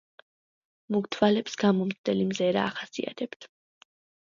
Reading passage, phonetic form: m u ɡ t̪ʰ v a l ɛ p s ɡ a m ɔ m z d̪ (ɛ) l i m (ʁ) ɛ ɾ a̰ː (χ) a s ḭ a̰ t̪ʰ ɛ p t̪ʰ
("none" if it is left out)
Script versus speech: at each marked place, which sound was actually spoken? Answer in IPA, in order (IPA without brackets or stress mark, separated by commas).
ɛ, z, χ